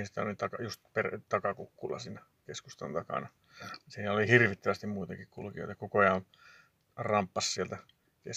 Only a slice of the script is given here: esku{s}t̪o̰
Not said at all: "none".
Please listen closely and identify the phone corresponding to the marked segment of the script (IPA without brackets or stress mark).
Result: s